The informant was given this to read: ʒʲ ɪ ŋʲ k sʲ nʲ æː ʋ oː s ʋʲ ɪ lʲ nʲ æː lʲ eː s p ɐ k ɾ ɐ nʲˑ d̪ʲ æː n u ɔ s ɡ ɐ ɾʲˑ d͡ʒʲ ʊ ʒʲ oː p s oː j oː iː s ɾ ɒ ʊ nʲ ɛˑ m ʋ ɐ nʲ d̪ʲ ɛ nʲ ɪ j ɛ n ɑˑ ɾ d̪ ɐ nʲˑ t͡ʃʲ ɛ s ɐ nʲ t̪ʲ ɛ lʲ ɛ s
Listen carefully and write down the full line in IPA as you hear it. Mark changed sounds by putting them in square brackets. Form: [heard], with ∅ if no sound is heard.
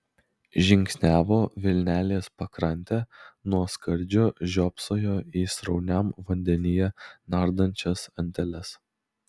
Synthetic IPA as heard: ʒʲ ɪ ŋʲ k sʲ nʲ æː ʋ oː [∅] ʋʲ ɪ lʲ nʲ æː lʲ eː s p ɐ k ɾ ɐ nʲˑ [t̪ʲ] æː n u ɔ s [k] ɐ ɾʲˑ d͡ʒʲ ʊ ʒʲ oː p s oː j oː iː s ɾ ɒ ʊ nʲ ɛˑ m ʋ ɐ nʲ d̪ʲ ɛ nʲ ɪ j ɛ n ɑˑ ɾ d̪ ɐ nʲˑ t͡ʃʲ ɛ s ɐ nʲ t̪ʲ ɛ lʲ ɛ s